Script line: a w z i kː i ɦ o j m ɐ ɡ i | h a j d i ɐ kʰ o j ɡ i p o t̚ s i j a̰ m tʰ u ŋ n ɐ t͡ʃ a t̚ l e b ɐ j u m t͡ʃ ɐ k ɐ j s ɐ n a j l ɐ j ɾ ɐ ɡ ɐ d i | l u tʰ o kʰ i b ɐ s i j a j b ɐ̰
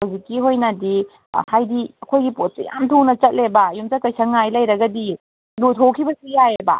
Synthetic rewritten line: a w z i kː i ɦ o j n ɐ d i | h a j d i ɐ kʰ o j ɡ i p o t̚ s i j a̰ m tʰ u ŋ n ɐ t͡ʃ ɐ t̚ l e b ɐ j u m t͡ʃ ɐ k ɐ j s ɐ ŋ a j l ɐ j ɾ ɐ ɡ ɐ d i | l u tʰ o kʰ i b ɐ s i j a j b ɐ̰